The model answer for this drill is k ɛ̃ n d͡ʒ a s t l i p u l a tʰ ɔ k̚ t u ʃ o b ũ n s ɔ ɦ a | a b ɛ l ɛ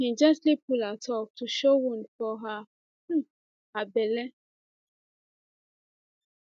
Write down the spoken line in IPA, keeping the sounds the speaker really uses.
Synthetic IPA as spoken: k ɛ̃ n d͡ʒ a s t l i p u l a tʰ ɔ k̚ t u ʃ o w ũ n f ɔ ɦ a | a b ɛ l ɛ